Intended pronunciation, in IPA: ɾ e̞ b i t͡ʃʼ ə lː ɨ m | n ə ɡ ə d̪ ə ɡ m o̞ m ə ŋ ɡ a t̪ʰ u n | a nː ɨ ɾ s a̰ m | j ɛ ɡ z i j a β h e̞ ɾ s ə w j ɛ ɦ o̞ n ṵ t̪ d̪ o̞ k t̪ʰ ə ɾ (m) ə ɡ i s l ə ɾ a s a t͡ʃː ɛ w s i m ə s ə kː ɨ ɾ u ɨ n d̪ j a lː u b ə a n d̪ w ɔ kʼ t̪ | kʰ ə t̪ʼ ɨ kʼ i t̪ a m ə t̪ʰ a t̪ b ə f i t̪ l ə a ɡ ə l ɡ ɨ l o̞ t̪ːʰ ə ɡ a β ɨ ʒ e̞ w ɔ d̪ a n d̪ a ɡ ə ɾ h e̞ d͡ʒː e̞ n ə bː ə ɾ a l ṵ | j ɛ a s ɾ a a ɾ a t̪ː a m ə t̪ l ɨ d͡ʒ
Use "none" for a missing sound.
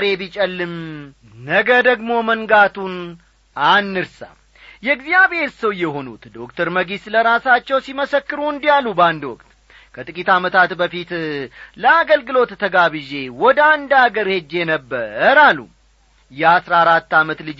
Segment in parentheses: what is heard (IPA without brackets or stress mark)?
m